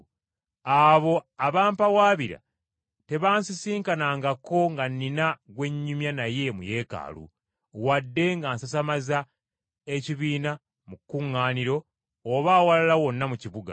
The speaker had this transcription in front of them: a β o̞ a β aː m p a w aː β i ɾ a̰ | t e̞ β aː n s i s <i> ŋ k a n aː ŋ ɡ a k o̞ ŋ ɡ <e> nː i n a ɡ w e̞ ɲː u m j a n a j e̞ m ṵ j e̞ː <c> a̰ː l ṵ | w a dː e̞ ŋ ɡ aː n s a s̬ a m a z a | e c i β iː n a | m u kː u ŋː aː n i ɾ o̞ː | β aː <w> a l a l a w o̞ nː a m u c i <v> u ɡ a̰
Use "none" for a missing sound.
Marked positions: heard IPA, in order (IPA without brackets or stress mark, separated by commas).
iː, a, k, w, β